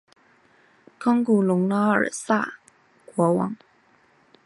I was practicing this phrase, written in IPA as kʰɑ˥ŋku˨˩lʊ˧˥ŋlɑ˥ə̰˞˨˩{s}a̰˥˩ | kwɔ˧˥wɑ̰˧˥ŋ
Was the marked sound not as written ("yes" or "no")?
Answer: no